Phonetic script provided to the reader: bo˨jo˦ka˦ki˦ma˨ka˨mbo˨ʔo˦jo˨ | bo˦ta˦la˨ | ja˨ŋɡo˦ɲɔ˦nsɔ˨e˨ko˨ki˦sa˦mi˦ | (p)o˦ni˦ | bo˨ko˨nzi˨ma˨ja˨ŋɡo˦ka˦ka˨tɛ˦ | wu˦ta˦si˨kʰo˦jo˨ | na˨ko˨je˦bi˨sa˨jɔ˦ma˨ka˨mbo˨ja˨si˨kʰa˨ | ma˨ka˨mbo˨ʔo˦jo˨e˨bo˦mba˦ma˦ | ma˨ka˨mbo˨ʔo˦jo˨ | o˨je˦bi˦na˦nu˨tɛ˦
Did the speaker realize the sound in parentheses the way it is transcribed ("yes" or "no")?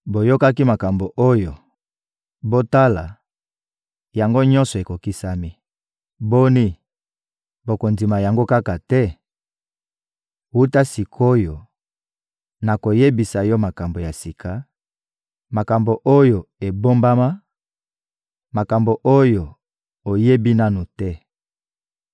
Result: no